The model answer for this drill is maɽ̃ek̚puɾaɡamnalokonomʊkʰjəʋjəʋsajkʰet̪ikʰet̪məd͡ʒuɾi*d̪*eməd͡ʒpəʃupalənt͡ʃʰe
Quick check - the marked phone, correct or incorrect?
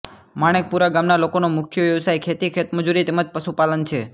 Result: incorrect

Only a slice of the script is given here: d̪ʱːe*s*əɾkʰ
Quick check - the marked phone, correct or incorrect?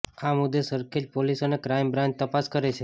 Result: correct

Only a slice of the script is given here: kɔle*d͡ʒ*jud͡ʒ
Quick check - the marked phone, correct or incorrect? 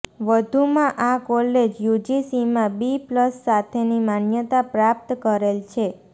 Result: correct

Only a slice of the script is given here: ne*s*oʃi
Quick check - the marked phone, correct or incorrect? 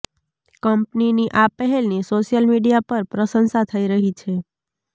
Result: correct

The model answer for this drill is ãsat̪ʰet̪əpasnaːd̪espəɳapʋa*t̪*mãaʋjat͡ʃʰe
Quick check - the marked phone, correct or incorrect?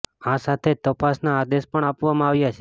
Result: incorrect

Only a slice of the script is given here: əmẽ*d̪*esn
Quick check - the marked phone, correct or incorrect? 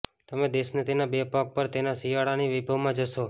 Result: correct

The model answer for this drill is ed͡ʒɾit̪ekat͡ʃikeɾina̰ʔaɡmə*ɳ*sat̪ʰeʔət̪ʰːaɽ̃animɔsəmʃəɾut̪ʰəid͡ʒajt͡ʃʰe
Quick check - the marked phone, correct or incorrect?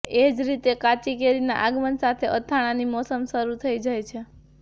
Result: incorrect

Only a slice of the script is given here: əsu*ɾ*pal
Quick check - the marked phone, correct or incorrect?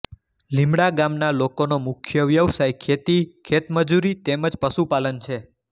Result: incorrect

